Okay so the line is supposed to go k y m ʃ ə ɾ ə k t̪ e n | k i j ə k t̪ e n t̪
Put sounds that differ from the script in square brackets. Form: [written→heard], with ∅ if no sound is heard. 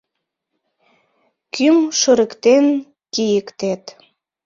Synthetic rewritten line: k y m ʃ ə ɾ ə k t̪ e n | k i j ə k t̪ e [n→∅] t̪